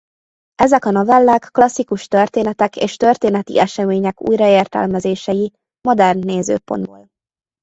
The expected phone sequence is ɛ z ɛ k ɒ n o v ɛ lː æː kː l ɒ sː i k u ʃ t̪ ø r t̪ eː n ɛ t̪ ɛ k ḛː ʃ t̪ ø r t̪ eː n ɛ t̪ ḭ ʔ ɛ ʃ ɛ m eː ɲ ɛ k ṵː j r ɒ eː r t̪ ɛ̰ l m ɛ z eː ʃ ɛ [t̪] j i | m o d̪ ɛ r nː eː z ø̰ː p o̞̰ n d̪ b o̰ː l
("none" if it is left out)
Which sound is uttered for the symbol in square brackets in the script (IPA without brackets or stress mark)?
none